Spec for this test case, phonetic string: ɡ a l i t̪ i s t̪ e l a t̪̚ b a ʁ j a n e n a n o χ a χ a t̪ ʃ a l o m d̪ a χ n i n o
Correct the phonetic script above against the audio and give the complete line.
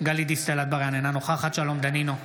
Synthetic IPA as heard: ɡ a l i d̪ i s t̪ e l a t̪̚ b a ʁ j a n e n a n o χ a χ a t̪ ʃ a l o m d̪ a n i n o